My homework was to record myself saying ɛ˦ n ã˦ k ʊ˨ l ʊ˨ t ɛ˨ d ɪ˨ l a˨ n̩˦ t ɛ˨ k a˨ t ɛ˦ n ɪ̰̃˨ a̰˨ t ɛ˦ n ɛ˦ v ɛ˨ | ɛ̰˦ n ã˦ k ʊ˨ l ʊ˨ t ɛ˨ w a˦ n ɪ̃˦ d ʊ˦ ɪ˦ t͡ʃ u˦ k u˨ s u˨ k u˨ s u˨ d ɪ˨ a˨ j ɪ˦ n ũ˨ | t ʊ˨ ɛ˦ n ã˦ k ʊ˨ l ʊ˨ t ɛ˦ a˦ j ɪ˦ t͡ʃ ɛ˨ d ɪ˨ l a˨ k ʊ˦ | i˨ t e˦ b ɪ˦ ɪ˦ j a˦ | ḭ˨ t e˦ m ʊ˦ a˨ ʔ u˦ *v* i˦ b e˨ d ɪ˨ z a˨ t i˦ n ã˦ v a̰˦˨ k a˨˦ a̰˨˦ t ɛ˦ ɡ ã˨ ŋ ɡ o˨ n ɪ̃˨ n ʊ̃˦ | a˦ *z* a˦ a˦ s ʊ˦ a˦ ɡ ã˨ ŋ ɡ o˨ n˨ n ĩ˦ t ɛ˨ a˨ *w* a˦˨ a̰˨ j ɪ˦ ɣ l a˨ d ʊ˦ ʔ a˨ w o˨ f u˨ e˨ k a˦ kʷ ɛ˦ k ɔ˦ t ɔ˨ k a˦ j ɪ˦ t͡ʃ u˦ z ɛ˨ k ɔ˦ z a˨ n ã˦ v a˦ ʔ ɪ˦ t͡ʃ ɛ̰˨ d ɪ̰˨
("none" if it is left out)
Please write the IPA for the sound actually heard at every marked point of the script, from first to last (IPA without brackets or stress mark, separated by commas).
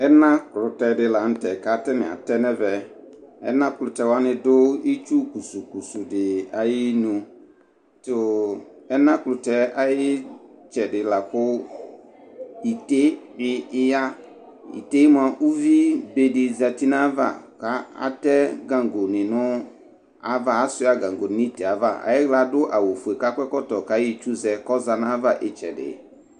v, v, v